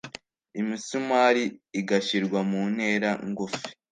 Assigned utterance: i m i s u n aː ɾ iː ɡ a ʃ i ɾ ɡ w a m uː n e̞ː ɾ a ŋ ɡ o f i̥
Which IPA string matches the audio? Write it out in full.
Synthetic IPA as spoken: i m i s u m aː ɾ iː ɡ a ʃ i ɾ ɡ w a m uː n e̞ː ɾ a ŋ ɡ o f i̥

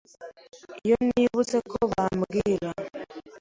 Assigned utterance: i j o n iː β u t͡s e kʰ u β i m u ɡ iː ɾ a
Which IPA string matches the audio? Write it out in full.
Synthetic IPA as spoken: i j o n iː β u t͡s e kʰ o β a m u ɡ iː ɾ a

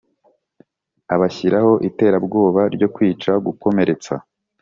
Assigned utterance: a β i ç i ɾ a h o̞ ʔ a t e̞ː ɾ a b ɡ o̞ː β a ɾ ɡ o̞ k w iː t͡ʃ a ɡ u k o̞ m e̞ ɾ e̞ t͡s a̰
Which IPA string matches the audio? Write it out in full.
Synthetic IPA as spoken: a β a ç i ɾ a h o̞ ʔ i t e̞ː ɾ a b ɡ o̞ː β a ɾ ɟ o̞ k w iː t͡ʃ a ɡ u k o̞ m e̞ ɾ e̞ t͡s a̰

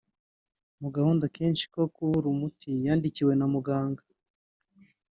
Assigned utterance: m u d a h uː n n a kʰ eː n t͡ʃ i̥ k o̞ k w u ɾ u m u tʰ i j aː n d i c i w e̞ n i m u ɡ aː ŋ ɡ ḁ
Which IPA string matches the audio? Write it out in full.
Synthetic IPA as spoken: m u ɡ a h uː n d a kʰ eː n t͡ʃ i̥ k o̞ k u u ɾ u m u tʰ i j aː n d i c i w e̞ n a m u ɡ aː ŋ ɡ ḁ

